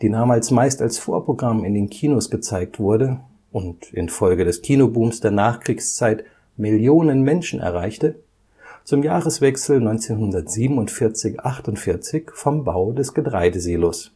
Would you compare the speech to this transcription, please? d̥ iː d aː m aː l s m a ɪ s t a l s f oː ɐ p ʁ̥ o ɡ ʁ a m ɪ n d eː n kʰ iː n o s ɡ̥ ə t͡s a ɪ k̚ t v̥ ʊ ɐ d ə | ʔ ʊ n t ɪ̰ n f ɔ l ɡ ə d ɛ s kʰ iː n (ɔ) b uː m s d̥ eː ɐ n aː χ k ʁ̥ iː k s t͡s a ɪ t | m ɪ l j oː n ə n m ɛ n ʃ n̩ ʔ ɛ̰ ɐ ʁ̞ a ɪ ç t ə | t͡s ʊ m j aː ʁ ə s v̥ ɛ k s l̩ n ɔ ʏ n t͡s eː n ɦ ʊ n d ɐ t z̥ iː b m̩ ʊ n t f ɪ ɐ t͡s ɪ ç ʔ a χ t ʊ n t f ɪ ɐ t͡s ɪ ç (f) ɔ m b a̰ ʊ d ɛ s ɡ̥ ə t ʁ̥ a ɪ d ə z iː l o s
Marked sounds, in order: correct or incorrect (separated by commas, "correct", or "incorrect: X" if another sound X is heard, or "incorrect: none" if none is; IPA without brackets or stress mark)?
incorrect: o, correct